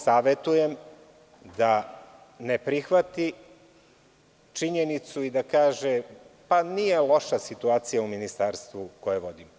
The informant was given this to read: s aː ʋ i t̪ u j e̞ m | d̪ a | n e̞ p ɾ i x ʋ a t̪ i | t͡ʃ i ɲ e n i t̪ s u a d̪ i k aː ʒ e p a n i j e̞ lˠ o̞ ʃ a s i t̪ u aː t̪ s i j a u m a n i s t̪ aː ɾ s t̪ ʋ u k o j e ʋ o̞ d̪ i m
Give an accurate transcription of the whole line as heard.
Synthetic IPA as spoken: s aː ʋ e t̪ u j e̞ m | d̪ a | n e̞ p ɾ i x ʋ a t̪ i | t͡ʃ i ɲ e n i t̪ s u i d̪ a k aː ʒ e p a n i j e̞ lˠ o̞ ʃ a s i t̪ u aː t̪ s i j a u m i n i s t̪ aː ɾ s t̪ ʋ u k o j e ʋ o̞ d̪ i m